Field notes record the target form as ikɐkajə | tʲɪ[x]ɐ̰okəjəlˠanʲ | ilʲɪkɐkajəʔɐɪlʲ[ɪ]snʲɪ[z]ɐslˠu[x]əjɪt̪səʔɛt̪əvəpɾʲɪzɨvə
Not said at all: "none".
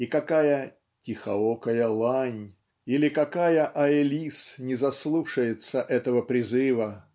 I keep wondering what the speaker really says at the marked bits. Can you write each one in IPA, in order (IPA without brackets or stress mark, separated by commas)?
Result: x, i, z, ʂ